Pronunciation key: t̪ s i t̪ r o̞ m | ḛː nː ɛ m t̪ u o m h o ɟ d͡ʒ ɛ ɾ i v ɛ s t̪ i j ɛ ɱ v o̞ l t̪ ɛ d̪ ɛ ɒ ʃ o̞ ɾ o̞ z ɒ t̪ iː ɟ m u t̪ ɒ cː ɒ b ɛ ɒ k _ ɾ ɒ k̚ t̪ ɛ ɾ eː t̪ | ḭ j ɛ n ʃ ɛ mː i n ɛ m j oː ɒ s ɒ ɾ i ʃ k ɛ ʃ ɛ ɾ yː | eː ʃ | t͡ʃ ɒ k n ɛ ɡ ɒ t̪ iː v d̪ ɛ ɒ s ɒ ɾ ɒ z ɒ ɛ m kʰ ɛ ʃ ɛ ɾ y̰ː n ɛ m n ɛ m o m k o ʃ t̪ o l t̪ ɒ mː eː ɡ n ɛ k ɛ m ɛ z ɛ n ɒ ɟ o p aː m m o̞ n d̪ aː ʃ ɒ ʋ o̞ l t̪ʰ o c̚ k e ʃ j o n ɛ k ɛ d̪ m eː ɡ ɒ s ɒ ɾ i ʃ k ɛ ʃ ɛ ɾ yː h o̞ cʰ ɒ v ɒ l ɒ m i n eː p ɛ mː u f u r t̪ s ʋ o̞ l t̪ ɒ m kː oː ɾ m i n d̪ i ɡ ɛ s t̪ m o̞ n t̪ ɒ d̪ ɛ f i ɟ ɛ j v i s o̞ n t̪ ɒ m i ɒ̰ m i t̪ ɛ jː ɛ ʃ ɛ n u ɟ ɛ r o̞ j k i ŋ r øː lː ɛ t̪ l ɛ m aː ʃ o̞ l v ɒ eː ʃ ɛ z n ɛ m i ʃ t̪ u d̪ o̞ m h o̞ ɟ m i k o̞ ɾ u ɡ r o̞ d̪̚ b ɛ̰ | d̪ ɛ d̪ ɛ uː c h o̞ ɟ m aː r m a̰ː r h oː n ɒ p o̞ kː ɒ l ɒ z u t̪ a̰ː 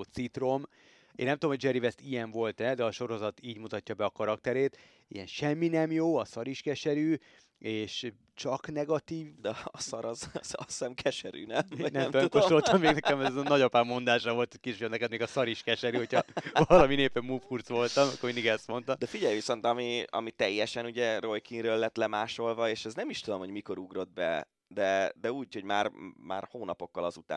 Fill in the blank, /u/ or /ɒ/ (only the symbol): ɒ